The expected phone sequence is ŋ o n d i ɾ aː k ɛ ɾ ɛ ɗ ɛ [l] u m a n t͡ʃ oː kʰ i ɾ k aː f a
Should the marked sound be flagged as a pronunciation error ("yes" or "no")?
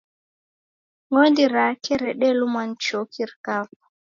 no